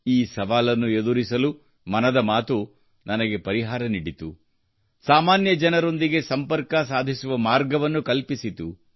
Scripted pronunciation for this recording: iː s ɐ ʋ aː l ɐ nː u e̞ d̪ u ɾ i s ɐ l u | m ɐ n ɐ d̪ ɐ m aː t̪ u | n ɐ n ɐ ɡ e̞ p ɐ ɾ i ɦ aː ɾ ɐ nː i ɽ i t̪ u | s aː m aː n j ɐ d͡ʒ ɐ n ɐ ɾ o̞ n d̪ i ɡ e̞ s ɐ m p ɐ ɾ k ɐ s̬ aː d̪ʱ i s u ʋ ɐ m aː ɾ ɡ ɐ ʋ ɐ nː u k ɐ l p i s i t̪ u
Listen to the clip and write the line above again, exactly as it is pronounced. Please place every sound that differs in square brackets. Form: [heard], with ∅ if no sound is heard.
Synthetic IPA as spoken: iː s ɐ ʋ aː l ɐ nː u e̞ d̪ u ɾ i s ɐ l u | m ɐ n ɐ d̪ ɐ m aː t̪ u | n ɐ n ɐ ɡ e̞ p ɐ ɾ i ɦ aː ɾ ɐ [n] i ɽ i t̪ u | s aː m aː n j ɐ d͡ʒ ɐ n ɐ ɾ o̞ n d̪ i ɡ e̞ s ɐ m p ɐ ɾ k ɐ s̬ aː d̪ʱ i s u ʋ ɐ m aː ɾ ɡ ɐ ʋ ɐ nː u k ɐ l p i s i t̪ u